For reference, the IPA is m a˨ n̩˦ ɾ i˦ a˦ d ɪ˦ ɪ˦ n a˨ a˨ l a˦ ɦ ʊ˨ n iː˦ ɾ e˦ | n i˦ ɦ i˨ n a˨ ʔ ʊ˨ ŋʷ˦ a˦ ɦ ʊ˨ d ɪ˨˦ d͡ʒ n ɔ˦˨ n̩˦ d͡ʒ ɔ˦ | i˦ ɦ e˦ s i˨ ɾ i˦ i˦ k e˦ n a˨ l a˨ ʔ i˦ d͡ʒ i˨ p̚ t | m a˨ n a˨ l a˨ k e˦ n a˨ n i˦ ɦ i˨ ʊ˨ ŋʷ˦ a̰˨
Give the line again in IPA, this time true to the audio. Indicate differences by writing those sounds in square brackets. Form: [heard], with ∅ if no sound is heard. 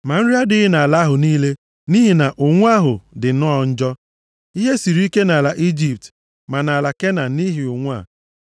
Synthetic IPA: m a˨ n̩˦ ɾ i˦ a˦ d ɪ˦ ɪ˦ n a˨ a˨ l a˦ ɦ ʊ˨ n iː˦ [l] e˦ | n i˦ ɦ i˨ n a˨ ʔ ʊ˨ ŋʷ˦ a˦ ɦ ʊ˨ d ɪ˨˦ [∅] n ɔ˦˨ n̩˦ d͡ʒ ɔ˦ | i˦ ɦ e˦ s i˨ ɾ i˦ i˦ k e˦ n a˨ l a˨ ʔ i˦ d͡ʒ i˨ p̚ t | m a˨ n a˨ l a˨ k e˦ n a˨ n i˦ ɦ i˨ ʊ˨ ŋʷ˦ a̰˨